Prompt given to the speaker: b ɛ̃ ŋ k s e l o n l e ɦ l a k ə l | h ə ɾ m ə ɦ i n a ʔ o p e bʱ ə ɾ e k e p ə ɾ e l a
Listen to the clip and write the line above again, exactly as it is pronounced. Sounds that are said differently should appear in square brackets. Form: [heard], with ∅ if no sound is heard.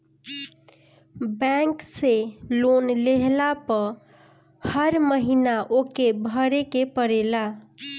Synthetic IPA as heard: b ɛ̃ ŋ k s e l o n l e ɦ l a [p] ə [∅] | h ə ɾ m ə ɦ i n a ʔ o [k] e bʱ ə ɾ e k e p ə ɾ e l a

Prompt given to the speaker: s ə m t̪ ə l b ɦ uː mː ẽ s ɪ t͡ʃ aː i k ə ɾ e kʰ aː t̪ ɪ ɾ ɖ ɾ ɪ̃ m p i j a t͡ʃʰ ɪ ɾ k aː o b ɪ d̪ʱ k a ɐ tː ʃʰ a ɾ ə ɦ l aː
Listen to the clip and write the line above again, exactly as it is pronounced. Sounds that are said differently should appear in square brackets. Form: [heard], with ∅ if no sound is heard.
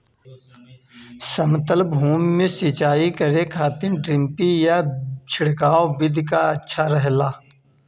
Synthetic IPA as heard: s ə m t̪ ə l b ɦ uː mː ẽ s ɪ t͡ʃ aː i k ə ɾ e kʰ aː t̪ ɪ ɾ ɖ ɾ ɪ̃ m p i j a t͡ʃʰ ɪ [ɽ] k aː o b ɪ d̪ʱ k a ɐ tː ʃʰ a ɾ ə ɦ l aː

